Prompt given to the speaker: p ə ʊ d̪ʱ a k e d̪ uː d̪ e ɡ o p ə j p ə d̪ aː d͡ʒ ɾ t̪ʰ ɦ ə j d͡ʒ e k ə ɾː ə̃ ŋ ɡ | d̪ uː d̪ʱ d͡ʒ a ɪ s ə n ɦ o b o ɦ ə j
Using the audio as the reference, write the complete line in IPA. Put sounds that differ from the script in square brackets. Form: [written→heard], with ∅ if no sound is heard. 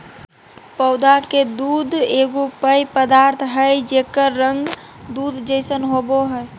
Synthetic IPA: p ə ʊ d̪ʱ a k e d̪ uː d̪ e ɡ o p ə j p ə d̪ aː [d͡ʒ→∅] ɾ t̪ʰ ɦ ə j d͡ʒ e k ə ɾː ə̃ ŋ ɡ | d̪ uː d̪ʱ d͡ʒ [a→ə] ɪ s ə n ɦ o b o ɦ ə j